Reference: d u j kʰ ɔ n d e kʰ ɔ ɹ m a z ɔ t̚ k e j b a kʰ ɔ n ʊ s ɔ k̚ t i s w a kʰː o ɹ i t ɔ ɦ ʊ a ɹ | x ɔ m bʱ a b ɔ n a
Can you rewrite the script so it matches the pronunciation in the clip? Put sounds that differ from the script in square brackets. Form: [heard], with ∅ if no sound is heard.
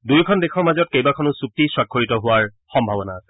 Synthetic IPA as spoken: d u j kʰ ɔ n d e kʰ ɔ ɹ m a z ɔ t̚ k e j b a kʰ ɔ n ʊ s [u] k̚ t i s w a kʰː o ɹ i t ɔ ɦ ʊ a ɹ | x ɔ m bʱ a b ɔ n a